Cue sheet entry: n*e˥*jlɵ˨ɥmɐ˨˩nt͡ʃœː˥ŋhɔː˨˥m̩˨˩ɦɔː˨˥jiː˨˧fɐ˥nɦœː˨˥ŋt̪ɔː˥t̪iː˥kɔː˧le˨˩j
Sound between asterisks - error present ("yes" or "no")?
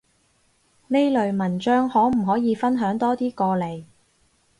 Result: no